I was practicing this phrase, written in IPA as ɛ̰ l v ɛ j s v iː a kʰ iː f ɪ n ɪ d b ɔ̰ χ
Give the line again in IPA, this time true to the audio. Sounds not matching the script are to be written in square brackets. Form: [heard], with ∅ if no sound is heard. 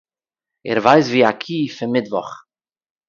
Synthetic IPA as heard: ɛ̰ [ɾ] v [a] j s v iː a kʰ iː f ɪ [m] ɪ d [v] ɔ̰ χ